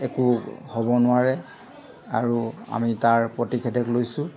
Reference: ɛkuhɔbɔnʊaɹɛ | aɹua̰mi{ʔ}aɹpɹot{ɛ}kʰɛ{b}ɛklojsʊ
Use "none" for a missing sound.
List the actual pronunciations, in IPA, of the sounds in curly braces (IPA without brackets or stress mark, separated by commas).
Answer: t, i, d